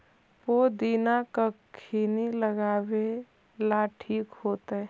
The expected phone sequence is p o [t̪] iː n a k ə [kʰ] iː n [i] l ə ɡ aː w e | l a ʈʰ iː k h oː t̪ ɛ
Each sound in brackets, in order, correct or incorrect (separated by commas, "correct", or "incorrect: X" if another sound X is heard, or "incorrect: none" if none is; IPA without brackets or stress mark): incorrect: d̪, correct, correct